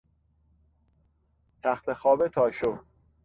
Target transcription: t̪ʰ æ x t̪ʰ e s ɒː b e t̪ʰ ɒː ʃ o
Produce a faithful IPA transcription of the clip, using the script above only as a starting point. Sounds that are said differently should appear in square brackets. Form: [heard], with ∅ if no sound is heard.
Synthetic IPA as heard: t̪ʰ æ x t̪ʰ e [x] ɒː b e t̪ʰ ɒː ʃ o